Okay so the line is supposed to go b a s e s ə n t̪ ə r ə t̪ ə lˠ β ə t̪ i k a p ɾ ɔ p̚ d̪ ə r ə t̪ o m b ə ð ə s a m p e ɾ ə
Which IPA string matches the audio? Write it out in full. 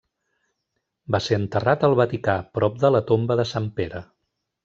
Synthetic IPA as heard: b a s e ə n t̪ ə r a t̪ ə lˠ β ə t̪ i k a p ɾ ɔ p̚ d̪ ə l ə t̪ o m b ə ð ə s a m p e ɾ ə